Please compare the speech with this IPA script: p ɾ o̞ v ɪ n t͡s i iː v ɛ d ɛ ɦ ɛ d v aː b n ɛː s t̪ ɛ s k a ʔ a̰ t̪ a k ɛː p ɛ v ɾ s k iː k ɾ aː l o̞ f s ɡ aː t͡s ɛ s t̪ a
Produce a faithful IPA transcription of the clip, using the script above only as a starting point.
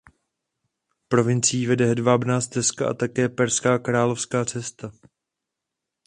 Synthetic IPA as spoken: p ɾ o̞ v ɪ n t͡s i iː v ɛ d ɛ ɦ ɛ d v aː b n aː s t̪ ɛ s k a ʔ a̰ t̪ a k ɛː p ɛ ɾ s k aː k ɾ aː l o̞ f s k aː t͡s ɛ s t̪ a